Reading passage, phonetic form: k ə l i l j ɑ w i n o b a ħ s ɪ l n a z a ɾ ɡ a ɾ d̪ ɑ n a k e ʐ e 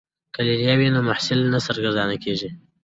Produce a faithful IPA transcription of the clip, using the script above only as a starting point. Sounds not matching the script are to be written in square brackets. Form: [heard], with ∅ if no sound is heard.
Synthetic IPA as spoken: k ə l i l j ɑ w i n o [m] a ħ s ɪ l n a [s] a ɾ ɡ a ɾ d̪ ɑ n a k e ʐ [i]